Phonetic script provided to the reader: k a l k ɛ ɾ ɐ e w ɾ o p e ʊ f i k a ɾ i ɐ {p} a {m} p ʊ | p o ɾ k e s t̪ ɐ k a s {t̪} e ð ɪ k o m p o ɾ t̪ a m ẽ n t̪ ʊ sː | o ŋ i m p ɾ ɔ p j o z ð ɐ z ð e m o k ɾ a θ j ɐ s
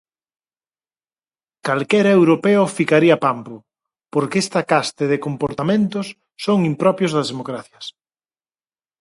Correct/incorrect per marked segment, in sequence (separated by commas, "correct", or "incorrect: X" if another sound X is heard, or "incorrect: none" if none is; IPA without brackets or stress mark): correct, correct, correct